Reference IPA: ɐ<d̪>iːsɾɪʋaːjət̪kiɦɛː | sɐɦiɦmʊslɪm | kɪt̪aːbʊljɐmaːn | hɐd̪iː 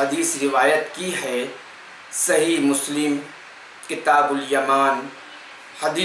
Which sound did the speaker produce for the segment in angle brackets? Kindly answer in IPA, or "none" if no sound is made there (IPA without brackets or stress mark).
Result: d̪